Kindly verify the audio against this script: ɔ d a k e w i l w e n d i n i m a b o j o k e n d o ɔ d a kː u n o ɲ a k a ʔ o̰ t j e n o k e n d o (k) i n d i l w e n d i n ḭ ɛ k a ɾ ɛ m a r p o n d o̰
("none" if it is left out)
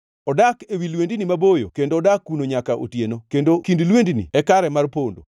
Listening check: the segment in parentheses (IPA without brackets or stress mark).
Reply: k